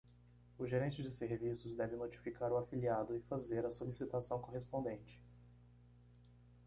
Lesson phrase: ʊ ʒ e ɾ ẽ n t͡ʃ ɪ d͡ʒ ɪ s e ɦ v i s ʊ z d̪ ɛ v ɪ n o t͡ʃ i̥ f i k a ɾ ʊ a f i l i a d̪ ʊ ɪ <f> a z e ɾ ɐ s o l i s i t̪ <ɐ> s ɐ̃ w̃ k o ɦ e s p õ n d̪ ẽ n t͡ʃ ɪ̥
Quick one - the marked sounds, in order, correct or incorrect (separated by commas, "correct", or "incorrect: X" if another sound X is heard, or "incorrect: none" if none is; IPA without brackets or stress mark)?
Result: correct, incorrect: a